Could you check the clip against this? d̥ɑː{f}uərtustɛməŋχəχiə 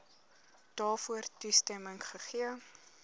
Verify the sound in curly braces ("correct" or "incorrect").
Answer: correct